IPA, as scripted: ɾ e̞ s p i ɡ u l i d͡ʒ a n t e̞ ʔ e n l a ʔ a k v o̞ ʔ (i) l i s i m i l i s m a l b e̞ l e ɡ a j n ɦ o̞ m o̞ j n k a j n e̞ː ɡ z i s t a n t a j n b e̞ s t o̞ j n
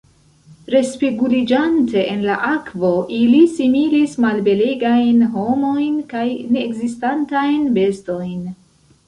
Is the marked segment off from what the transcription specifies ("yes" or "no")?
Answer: no